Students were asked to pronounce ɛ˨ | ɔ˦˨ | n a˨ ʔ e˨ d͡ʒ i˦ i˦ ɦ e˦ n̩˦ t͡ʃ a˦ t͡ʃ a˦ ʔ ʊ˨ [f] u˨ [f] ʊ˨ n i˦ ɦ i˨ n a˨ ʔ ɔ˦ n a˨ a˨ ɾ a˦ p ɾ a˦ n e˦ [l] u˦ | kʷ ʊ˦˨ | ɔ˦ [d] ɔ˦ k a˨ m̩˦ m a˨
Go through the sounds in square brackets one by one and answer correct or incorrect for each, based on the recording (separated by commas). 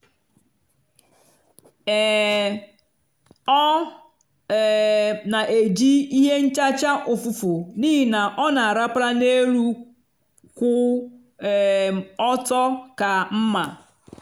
correct, correct, incorrect, incorrect